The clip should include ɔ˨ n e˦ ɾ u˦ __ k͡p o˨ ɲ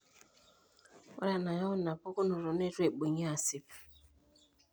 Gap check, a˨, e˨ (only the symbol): e˨